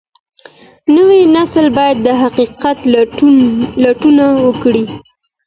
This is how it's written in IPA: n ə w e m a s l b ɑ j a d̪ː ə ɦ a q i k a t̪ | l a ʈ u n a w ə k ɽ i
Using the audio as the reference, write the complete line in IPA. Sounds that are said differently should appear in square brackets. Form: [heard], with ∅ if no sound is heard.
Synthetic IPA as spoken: n ə w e [n] a s l b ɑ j a d̪ː ə ɦ a q i [q] a t̪ | l a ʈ u n a w ə k ɽ i